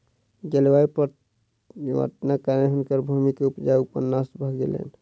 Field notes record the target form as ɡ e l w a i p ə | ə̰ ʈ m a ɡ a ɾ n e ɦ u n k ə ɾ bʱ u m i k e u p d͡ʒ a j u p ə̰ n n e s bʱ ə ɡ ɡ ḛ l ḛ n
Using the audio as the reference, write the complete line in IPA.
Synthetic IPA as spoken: ɡ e l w a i p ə | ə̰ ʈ n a k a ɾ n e ɦ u n k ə ɾ bʱ u m i k e u p d͡ʒ a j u p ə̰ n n a s bʱ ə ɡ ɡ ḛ l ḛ n